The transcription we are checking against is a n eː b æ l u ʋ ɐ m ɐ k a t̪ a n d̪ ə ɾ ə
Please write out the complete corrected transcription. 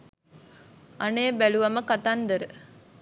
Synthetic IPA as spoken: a n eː b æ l u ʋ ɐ m ə k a t̪ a n d̪ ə ɾ ə

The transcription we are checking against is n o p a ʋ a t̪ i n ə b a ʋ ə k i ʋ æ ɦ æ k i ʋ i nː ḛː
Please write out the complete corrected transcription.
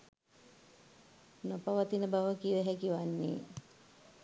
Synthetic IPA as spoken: n o p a ʋ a t̪ i n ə b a ʋ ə k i ʋ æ ɦ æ k i ʋ a nː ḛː

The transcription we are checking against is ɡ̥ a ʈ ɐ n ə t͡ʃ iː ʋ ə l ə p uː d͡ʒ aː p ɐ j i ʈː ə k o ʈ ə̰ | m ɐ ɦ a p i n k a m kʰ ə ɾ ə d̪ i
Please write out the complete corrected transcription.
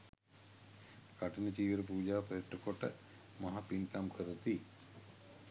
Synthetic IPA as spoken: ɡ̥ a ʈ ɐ n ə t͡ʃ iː ʋ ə ɾ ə p uː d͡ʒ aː p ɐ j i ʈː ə k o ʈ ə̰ | m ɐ ɦ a p i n k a m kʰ ə ɾ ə t̪ i

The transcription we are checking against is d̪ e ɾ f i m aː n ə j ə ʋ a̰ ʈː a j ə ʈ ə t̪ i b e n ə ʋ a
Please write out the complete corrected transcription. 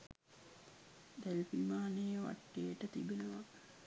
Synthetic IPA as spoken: d̪ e l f i m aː n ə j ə ʋ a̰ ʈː e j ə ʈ ə t̪ i b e n ə ʋ a

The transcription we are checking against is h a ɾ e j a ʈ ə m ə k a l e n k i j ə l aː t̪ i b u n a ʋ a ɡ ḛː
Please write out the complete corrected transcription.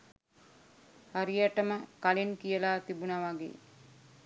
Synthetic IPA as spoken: h a ɾ i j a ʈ ə m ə k a l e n k i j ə l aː t̪ i b u n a ʋ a ɡ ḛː

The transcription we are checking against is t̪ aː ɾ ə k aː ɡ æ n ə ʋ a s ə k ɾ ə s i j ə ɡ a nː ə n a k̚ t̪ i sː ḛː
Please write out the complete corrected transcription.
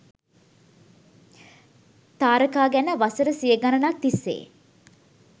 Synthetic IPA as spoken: t̪ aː ɾ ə k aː ɡ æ n ə ʋ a s ə ɾ ə s i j ə ɡ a n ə n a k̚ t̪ i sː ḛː

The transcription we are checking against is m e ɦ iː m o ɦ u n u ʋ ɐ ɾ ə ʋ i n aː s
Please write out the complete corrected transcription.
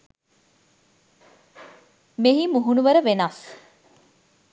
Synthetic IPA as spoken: m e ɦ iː m u ɦ u n u ʋ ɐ ɾ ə ʋ e n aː s

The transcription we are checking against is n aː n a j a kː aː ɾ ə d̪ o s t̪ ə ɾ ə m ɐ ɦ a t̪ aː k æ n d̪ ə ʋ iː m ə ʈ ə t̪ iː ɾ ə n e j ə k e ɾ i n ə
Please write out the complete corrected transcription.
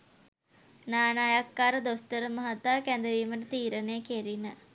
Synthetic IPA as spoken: n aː n a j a kː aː ɾ ə d̪ o s t̪ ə ɾ ə m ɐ ɦ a t̪ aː k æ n d̪ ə ʋ iː m ə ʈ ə t̪ iː ɾ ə n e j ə k e ɾ i n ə

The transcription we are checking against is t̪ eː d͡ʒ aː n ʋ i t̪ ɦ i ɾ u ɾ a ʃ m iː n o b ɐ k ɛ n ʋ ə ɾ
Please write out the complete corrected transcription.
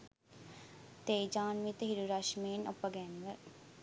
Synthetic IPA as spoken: t̪ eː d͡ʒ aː n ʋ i t̪ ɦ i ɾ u ɾ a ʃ m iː n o p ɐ ɡ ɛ n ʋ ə ɾ

